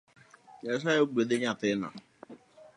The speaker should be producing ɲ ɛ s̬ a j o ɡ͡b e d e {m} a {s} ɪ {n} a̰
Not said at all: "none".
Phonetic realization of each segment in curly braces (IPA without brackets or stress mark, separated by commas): ɲ, t, n